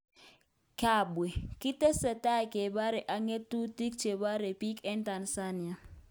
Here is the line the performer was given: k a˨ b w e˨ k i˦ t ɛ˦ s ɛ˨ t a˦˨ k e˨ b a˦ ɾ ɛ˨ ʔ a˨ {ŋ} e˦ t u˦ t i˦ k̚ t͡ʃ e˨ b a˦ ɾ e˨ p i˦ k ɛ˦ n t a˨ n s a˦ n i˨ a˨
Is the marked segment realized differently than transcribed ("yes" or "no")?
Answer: no